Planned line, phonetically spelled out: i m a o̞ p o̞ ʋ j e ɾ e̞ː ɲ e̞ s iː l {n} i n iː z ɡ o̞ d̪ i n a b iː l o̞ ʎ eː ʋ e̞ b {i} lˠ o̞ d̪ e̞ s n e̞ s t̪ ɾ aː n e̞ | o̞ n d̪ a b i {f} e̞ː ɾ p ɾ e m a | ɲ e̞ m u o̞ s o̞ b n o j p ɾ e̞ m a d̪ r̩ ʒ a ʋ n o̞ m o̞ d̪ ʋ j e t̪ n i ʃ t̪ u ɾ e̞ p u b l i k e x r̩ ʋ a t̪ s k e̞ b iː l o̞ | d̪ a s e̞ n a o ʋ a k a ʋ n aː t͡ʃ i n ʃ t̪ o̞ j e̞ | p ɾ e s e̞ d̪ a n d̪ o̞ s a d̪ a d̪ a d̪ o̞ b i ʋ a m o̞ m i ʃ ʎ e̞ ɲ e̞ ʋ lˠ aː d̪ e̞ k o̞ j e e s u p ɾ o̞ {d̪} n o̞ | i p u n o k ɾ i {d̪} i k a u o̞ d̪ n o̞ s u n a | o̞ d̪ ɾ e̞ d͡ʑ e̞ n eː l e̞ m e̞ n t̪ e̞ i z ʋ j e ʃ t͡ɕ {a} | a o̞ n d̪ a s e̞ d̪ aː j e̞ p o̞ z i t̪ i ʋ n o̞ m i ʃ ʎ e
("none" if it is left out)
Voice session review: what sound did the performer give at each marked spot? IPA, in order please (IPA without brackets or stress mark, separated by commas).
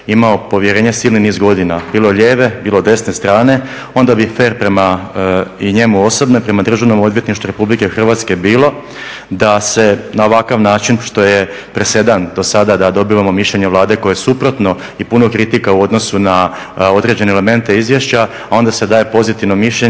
n, iː, f, t̪, t̪, a